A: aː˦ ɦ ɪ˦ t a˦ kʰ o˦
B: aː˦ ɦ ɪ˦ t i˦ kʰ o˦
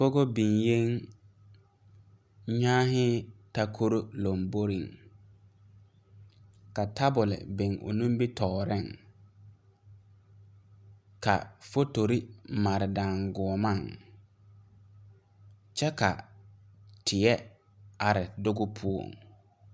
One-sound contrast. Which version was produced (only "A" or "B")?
A